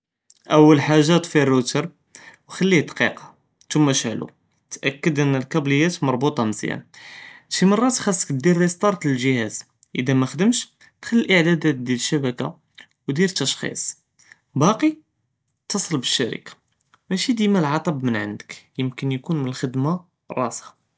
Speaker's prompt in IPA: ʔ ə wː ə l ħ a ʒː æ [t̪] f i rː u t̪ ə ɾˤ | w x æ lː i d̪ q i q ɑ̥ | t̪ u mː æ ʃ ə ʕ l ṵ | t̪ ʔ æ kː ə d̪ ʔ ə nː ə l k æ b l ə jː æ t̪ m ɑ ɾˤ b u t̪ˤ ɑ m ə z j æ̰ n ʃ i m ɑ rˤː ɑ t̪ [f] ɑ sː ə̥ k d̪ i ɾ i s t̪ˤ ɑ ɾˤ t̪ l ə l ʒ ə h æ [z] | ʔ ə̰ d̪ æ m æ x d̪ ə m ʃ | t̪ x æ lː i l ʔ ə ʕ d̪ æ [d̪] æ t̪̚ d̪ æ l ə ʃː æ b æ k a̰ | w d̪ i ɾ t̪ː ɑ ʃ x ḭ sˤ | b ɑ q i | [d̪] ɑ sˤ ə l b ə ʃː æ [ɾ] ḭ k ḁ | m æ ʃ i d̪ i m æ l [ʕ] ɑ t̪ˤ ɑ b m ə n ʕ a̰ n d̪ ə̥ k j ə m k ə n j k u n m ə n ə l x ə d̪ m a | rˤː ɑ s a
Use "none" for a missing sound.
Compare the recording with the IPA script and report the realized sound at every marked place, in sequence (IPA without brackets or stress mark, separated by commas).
t̪, x, z, d̪, t̪, ɾ, ʕ